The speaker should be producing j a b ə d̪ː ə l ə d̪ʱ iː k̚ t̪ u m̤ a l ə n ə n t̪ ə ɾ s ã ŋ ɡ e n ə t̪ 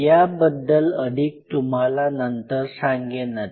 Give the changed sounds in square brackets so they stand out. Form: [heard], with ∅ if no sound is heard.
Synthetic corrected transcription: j a b ə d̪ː ə l ə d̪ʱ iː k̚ t̪ u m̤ a l [a] n ə n t̪ ə ɾ s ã ŋ ɡ e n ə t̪